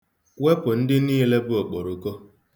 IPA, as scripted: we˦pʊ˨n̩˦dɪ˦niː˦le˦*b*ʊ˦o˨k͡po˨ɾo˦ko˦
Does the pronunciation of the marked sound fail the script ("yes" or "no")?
no